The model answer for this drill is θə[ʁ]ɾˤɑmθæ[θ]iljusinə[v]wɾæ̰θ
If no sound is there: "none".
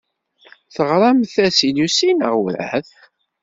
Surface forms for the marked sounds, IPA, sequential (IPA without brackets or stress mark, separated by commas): ʁ, s, ʁ